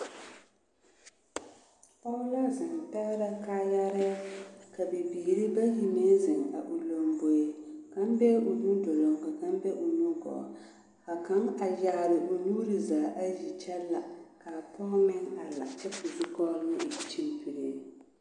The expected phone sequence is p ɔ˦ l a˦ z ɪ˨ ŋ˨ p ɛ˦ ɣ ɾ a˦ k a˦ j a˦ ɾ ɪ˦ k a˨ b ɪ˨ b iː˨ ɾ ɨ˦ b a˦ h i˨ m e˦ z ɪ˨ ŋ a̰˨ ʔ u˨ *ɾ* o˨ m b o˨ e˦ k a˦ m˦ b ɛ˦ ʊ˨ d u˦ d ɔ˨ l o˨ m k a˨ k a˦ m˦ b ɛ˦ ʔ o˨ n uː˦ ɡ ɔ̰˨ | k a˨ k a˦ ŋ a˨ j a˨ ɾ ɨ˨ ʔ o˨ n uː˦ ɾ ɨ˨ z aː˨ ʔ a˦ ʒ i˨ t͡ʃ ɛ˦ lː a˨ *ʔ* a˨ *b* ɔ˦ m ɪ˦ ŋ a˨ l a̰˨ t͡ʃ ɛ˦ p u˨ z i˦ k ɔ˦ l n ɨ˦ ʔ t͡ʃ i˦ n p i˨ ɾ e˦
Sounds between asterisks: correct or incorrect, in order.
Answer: incorrect, incorrect, incorrect

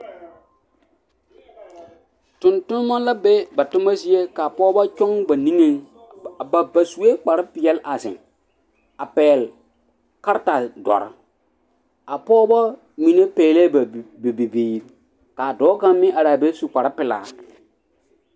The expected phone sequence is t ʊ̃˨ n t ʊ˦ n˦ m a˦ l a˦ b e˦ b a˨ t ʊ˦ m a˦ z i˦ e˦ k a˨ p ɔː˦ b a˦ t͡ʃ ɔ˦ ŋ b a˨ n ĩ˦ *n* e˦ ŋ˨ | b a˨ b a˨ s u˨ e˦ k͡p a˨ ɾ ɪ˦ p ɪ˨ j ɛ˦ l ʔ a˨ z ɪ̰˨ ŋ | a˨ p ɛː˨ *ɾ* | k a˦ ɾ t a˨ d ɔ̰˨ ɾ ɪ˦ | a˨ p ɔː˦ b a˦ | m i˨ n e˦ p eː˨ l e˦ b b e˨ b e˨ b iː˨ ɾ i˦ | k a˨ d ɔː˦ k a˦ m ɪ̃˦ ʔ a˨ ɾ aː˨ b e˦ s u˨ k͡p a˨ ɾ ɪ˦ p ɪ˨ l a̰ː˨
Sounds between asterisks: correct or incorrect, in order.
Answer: incorrect, incorrect

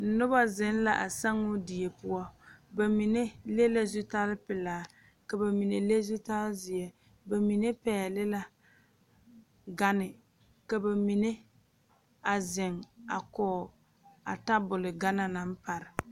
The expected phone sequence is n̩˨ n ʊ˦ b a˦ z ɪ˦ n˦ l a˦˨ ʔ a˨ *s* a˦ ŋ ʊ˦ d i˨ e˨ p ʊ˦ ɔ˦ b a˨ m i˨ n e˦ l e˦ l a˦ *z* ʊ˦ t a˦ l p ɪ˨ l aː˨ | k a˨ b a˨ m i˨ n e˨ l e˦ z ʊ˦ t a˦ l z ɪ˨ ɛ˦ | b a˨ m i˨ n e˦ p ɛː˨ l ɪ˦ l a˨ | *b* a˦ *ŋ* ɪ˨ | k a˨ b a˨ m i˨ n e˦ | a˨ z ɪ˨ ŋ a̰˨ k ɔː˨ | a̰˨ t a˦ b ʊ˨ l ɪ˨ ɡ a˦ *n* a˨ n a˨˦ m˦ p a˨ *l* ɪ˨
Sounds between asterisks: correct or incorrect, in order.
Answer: correct, correct, incorrect, incorrect, correct, incorrect

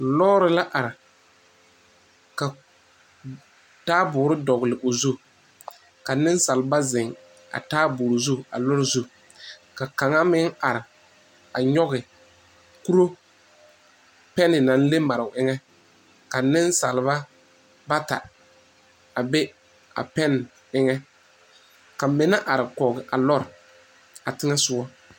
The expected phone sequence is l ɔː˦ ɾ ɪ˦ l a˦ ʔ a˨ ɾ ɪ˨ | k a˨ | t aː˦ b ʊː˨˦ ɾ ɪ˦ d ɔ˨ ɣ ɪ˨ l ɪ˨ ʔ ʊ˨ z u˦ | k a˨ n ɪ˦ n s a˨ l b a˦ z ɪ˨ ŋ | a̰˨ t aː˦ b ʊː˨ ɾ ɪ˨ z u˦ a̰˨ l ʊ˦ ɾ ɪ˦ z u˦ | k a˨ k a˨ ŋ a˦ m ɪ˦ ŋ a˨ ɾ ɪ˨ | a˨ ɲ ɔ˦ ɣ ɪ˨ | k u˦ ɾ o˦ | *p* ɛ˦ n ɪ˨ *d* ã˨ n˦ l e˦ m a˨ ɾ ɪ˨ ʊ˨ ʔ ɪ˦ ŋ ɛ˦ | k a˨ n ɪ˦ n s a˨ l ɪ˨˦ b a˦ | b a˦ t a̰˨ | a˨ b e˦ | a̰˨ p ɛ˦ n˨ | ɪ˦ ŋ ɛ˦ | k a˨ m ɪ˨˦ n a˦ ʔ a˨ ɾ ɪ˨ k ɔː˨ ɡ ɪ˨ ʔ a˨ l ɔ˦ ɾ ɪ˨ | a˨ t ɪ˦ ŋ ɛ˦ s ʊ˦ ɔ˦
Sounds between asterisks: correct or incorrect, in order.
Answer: correct, incorrect

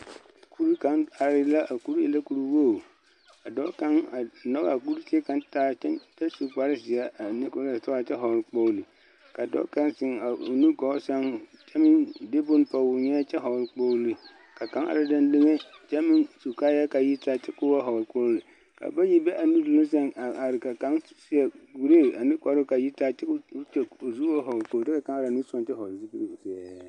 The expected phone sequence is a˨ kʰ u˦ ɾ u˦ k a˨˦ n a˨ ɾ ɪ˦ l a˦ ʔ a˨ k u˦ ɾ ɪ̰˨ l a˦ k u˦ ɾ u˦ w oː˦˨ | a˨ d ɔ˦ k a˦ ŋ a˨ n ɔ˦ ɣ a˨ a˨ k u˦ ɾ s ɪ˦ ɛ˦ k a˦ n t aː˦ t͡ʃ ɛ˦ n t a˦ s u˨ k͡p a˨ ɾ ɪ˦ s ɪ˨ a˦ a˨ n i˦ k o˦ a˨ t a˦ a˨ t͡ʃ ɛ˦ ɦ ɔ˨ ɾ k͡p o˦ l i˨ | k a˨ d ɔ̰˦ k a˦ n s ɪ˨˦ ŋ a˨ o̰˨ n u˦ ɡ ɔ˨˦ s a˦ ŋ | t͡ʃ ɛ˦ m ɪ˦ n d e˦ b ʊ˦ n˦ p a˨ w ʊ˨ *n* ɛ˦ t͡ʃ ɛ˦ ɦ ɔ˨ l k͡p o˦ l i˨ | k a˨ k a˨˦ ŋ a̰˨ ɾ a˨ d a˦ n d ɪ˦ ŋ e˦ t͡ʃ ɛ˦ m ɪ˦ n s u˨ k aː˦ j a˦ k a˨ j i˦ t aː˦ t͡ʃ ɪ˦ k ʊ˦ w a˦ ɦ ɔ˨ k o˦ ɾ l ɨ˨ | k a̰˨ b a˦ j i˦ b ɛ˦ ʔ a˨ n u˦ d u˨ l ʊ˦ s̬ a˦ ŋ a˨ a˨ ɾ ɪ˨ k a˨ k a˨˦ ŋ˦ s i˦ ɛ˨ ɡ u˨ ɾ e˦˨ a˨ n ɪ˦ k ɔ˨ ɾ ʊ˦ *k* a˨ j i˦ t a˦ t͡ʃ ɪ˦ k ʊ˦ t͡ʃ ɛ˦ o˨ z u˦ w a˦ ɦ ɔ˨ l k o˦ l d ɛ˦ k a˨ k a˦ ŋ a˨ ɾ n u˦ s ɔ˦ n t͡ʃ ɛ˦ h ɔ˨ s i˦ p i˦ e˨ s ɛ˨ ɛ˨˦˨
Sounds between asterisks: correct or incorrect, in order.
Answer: incorrect, correct

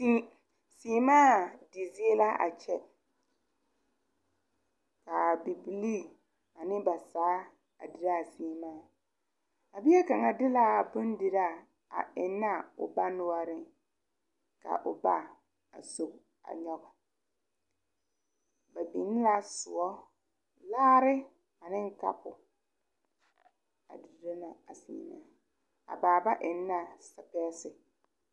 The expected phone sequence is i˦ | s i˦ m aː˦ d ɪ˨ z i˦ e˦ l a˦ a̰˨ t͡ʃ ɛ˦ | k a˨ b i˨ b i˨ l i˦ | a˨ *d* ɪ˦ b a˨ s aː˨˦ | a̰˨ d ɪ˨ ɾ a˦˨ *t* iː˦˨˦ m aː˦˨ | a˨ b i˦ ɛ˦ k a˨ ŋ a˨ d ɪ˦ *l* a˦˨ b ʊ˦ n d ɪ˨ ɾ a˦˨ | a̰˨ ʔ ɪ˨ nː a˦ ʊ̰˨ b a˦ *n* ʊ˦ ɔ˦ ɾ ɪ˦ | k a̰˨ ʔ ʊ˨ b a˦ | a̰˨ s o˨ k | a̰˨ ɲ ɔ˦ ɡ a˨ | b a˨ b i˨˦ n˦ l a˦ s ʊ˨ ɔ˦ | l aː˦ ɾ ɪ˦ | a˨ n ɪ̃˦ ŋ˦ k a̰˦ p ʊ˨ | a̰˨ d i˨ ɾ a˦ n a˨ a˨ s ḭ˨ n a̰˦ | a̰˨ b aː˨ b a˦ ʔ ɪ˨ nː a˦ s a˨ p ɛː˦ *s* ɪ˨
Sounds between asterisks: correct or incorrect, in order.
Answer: incorrect, incorrect, correct, correct, correct

